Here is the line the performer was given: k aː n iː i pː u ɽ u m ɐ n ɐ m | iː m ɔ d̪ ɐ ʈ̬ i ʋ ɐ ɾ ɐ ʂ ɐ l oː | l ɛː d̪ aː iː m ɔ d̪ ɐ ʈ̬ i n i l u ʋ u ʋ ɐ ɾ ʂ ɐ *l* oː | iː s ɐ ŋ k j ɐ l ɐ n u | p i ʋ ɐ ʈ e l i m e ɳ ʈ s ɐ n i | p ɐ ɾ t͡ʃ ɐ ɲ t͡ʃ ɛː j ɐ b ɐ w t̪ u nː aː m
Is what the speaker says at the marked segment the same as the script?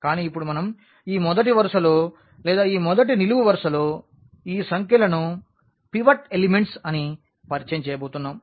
yes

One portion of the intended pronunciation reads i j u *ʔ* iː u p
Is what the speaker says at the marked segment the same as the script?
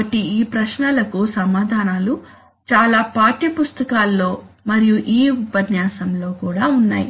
yes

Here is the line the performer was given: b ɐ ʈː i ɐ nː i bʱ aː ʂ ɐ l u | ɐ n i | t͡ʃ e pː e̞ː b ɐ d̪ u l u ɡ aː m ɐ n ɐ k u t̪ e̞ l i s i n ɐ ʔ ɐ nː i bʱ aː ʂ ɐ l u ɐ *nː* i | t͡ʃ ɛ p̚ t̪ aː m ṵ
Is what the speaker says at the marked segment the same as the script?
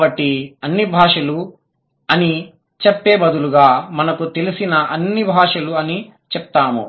no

